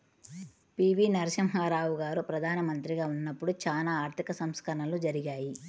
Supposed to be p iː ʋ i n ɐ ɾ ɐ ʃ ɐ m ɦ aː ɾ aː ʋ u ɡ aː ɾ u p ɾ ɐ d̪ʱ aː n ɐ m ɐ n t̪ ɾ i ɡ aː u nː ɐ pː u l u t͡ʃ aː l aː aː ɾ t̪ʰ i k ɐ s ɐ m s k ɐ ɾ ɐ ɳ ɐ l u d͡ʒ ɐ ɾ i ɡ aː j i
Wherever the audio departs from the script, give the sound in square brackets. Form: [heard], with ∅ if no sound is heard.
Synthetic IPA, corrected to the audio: p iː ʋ i n ɐ ɾ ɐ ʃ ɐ m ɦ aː ɾ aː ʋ u ɡ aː ɾ u p ɾ ɐ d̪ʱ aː n ɐ m ɐ n t̪ ɾ i ɡ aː u nː ɐ pː u [ɽ] u t͡ʃ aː l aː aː ɾ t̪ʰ i k ɐ s ɐ m s k ɐ ɾ ɐ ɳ ɐ l u d͡ʒ ɐ ɾ i ɡ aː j i